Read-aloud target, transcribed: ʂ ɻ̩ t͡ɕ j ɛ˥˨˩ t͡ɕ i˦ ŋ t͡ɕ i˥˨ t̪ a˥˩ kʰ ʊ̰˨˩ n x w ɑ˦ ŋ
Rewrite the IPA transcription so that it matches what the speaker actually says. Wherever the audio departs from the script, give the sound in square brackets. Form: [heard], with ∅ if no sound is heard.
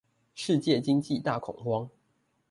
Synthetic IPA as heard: ʂ ɻ̩ t͡ɕ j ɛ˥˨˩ t͡ɕ i˦ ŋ t͡ɕ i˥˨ t̪ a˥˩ kʰ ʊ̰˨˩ [ŋ] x w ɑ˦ ŋ